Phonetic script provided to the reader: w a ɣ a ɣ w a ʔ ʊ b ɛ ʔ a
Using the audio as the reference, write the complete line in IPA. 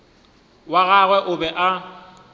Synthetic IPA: w a ɣ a ɣ w ɛ ʔ ʊ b ɛ ʔ a